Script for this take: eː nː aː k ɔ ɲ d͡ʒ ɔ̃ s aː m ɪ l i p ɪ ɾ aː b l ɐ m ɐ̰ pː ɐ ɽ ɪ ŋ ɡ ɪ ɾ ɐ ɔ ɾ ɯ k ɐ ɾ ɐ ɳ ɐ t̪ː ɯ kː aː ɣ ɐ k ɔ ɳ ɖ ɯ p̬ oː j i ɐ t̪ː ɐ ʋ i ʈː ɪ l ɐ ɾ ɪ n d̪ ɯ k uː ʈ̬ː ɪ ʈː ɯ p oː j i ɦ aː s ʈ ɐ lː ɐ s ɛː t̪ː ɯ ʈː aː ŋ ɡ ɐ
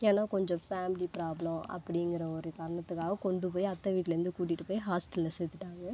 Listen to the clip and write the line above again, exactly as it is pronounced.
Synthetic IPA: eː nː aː k ɔ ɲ d͡ʒ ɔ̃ f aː m ɪ l i p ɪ ɾ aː b l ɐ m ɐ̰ pː ɐ ɽ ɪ ŋ ɡ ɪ ɾ ɐ ɔ ɾ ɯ k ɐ ɾ ɐ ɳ ɐ t̪ː ɯ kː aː ɣ ɐ k ɔ ɳ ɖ ɯ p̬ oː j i ɐ t̪ː ɐ ʋ iː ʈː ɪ l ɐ ɾ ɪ n d̪ ɯ k uː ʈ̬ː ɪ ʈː ɯ p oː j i ɦ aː s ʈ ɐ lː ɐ s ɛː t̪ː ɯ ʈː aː ŋ ɡ ɐ

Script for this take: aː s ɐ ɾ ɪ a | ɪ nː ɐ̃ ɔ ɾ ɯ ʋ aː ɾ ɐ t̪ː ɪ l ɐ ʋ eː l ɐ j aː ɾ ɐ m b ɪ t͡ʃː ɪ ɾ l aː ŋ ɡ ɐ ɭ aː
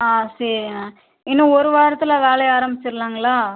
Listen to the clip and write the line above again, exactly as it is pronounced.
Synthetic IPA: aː s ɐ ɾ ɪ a | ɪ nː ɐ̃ ɔ ɾ ɯ ʋ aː ɾ ɐ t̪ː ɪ l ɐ ʋ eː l ɐ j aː ɾ ɐ m b ɪ t͡ʃː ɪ ɾ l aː ŋ ɡ ɐ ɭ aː

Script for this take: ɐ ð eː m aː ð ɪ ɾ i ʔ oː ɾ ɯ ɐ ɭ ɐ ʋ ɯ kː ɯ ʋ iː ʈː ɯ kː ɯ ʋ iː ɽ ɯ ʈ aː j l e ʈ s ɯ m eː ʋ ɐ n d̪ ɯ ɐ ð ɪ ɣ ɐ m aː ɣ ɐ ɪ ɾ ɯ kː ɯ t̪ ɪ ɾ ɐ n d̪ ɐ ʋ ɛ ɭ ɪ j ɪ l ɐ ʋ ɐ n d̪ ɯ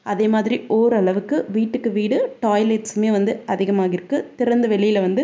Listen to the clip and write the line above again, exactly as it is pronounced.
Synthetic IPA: ɐ ð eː m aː ð ɪ ɾ i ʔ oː ɾ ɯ ɐ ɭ ɐ ʋ ɯ kː ɯ ʋ iː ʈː ɯ kː ɯ ʋ iː ɽ ɯ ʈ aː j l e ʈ s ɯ m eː ʋ ɐ n d̪ ɯ ɐ ð ɪ ɣ ɐ m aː ɣ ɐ ɪ ɾ ɯ kː ɯ t̪ ɪ ɾ ɐ n d̪ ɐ ʋ ɛ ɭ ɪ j ɪ l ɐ ʋ ɐ n d̪ ɯ

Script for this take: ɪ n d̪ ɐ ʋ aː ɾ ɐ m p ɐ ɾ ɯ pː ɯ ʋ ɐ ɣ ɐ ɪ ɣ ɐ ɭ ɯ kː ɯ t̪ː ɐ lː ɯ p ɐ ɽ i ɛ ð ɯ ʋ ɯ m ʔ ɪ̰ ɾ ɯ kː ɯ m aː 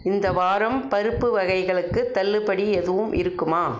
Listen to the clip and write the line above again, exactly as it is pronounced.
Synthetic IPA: ɪ n d̪ ɐ ʋ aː ɾ ɐ m p ɐ ɾ ɯ pː ɯ ʋ ɐ ɣ ɐ ɪ ɣ ɐ ɭ ɯ kː ɯ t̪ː ɐ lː ɯ p ɐ ɽ i ɛ ð ɯ ʋ ɯ m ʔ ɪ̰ ɾ ɯ kː ɯ m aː

